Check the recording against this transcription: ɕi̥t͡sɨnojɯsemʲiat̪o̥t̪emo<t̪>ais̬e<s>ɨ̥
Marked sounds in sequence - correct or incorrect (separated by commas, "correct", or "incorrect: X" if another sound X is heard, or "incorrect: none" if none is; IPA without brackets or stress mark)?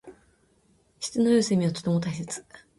correct, incorrect: t͡s